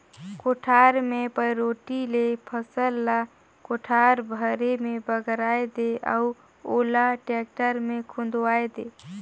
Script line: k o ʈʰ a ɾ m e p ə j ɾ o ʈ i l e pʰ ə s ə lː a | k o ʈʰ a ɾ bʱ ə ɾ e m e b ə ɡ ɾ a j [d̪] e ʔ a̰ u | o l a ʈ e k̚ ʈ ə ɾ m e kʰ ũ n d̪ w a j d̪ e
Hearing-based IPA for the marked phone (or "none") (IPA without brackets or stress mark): d̪